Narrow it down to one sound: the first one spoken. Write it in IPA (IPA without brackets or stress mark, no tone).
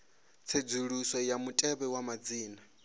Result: t͡sʰ